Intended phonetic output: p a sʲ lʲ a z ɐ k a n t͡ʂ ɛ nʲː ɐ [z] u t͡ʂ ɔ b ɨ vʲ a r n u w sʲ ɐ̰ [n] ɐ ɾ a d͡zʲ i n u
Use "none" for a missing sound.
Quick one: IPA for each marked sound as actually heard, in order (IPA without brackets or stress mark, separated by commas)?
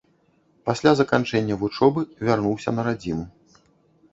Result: v, n